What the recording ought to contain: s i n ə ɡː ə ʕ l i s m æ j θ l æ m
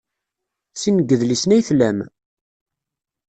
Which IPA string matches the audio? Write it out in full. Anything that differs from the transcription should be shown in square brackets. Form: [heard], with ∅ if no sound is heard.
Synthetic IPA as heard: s i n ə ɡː ə [ð] l i s [n] æ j θ l æ m